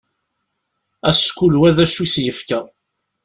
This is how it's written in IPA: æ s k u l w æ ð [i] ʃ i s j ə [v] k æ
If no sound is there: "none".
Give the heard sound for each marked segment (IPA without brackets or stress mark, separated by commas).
æ, f